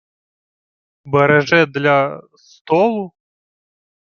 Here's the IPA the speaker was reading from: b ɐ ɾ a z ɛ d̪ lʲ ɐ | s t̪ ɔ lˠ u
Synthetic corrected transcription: b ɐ ɾ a ʐ ɛ d̪ lʲ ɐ | s t̪ ɔ lˠ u